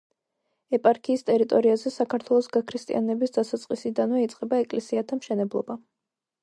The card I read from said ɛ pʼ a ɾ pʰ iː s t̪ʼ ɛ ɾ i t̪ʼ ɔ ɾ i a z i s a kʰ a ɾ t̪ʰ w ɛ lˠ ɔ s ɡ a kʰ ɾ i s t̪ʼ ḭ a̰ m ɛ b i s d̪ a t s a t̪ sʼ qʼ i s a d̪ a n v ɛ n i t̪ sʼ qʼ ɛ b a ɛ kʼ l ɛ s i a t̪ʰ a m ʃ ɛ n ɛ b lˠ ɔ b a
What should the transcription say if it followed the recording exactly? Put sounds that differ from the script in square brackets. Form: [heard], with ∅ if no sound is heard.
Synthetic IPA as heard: ɛ pʼ a ɾ [kʰ] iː s t̪ʼ ɛ ɾ i t̪ʼ ɔ ɾ i a z [ɛ] s a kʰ a ɾ t̪ʰ w ɛ lˠ ɔ s ɡ a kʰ ɾ i s t̪ʼ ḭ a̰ [n] ɛ b i s d̪ a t s a t̪ sʼ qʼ i s [i] d̪ a n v ɛ [∅] i t̪ sʼ qʼ ɛ b a ɛ kʼ l ɛ s i a t̪ʰ a m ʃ ɛ n ɛ b lˠ ɔ b a